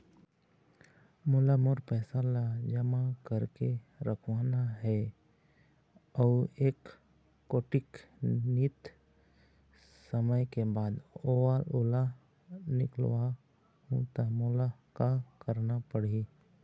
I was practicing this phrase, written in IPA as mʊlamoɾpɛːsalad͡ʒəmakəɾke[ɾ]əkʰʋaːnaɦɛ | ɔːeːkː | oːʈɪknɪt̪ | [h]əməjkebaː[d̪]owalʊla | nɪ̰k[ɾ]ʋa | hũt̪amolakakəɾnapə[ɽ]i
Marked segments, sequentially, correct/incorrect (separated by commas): correct, incorrect, correct, incorrect, correct